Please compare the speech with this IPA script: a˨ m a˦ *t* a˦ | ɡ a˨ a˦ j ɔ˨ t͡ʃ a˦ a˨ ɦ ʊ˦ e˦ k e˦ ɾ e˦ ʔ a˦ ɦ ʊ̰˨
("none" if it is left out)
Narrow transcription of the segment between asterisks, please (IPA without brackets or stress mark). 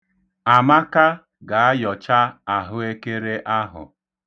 k